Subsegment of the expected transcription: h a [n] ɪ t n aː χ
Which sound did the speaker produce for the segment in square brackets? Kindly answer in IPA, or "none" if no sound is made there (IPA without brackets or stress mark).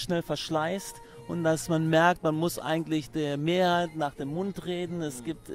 none